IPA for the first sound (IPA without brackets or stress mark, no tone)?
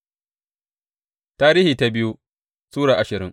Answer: t